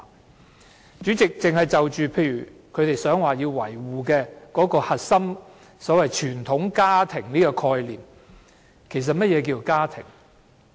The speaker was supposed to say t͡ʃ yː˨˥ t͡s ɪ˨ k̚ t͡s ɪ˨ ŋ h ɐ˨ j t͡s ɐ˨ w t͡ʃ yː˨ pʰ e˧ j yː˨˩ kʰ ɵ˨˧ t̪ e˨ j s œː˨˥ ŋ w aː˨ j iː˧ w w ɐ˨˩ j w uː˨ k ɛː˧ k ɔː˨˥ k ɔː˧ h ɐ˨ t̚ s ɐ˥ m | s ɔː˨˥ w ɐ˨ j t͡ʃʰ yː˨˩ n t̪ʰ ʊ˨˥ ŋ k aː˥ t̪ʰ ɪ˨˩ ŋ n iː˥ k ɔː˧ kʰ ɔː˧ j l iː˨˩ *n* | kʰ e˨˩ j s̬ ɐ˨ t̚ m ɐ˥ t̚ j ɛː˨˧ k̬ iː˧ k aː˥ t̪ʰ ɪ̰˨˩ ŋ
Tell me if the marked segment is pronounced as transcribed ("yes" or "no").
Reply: no